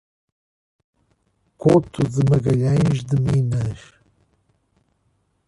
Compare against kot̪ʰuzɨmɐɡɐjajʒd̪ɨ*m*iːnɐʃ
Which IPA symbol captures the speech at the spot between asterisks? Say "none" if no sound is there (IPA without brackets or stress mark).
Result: m